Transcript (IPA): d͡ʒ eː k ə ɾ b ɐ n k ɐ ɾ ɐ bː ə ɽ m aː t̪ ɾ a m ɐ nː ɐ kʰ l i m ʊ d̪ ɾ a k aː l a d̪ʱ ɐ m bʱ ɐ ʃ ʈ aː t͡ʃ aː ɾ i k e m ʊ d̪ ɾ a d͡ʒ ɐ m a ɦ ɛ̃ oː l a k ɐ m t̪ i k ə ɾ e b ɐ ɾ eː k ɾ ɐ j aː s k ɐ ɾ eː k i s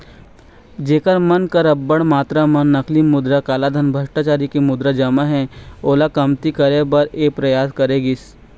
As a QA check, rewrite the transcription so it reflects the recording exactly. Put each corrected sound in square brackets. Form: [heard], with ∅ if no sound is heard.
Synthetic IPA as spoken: d͡ʒ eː k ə ɾ [m] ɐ n k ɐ ɾ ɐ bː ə ɽ m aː t̪ ɾ a m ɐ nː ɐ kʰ l i m ʊ d̪ ɾ a k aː l a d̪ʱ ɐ [n] bʱ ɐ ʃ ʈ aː t͡ʃ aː ɾ i k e m ʊ d̪ ɾ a d͡ʒ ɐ m a ɦ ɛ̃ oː l a k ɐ m t̪ i k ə ɾ e b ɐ ɾ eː [p] ɾ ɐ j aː s k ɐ ɾ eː [ɡ] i s

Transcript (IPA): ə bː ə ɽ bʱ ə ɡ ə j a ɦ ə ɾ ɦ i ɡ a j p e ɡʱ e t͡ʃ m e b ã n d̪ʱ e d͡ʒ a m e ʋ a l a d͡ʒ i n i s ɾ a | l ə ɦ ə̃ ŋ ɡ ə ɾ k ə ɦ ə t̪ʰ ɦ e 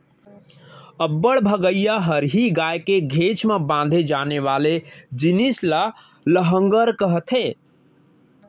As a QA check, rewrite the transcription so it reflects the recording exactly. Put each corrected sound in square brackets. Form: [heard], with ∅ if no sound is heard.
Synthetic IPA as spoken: ə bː ə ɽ bʱ ə ɡ ə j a ɦ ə ɾ ɦ i ɡ a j [k] e ɡʱ e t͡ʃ m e b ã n d̪ʱ e d͡ʒ a [n] e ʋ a l [e] d͡ʒ i n i s [l] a | l ə ɦ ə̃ ŋ ɡ ə ɾ k ə ɦ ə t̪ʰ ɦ e

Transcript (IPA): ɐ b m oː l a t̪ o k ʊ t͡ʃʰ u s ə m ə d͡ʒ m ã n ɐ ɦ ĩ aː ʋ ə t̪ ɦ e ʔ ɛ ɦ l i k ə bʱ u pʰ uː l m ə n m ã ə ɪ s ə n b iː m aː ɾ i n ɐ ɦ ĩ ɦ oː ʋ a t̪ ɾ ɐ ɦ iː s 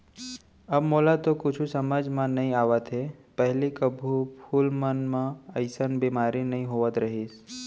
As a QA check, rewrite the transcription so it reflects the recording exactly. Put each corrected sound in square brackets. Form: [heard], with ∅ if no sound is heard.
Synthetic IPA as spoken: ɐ b m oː l a t̪ o k ʊ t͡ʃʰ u s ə m ə d͡ʒ m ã n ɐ ɦ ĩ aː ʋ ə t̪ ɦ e [p] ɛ ɦ l i k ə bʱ u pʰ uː l m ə n m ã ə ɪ s ə n b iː m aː ɾ i n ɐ ɦ ĩ ɦ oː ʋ [ə] t̪ ɾ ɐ ɦ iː s

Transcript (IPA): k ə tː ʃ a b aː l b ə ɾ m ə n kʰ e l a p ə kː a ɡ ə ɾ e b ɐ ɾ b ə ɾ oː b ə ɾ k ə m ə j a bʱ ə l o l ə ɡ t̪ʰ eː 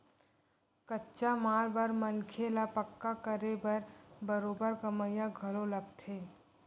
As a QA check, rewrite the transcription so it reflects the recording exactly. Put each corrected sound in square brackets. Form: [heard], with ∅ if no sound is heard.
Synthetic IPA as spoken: k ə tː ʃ a [m] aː l b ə ɾ m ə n kʰ e l a p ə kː a [k] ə ɾ e b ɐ ɾ b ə ɾ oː b ə ɾ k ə m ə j a [ɡʱ] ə l o l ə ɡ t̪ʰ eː

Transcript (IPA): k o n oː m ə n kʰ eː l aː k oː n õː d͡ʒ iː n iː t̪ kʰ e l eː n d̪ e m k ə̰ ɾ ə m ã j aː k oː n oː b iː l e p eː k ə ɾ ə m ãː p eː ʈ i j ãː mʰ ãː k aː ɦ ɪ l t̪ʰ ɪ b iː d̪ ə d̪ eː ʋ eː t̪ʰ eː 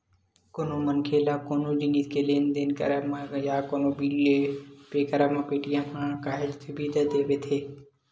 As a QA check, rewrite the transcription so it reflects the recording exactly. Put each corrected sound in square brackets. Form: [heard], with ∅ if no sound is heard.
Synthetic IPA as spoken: k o n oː m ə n kʰ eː l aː k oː n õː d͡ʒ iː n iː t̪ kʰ e l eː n d̪ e [n] k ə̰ ɾ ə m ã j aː k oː n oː b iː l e p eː k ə ɾ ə m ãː p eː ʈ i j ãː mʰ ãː k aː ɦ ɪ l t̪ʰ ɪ b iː d̪ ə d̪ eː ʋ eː t̪ʰ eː

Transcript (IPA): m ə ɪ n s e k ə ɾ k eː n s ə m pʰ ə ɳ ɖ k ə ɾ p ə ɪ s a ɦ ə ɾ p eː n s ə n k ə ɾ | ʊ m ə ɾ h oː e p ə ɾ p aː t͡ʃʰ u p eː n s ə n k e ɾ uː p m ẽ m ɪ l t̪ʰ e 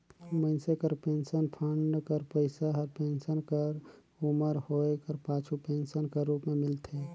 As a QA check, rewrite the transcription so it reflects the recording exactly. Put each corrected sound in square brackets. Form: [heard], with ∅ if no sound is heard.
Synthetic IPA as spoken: m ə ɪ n s e k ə ɾ [p] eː n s ə [n] pʰ ə ɳ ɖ k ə ɾ p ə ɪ s a ɦ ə ɾ p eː n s ə n k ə ɾ | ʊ m ə ɾ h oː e [k] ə ɾ p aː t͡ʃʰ u p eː n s ə n k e ɾ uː p m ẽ m ɪ l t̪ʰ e

